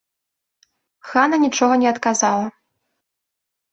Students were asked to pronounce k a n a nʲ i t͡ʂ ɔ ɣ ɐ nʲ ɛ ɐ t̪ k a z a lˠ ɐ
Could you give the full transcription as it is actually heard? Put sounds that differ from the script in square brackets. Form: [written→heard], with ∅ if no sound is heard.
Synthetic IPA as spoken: [k→x] a n [a→ɐ] nʲ i t͡ʂ ɔ ɣ ɐ nʲ ɛ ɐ t̪ k a z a lˠ ɐ